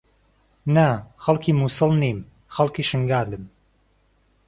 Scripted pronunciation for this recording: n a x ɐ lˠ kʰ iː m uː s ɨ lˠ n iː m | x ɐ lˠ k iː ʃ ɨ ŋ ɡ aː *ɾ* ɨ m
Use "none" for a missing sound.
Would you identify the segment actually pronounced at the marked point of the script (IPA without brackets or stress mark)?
l